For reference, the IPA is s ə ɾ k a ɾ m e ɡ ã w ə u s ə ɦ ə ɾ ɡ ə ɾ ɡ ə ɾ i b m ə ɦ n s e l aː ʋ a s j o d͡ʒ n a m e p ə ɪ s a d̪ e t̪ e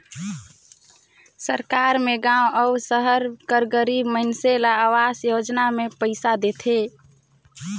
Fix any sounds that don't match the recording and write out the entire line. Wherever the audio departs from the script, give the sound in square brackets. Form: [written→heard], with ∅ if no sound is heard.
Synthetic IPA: s ə ɾ k a ɾ m e ɡ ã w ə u s ə ɦ ə ɾ [ɡ→k] ə ɾ ɡ ə ɾ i b m ə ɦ n s e l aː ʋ a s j o d͡ʒ n a m e p ə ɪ s a d̪ e [t̪→t̪ʰ] e